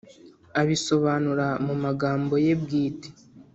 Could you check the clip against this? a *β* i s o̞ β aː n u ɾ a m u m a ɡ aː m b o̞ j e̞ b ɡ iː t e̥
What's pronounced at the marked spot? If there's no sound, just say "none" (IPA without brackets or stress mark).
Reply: β